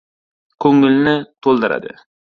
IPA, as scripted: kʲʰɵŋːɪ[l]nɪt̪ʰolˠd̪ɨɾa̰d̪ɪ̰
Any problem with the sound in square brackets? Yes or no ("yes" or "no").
no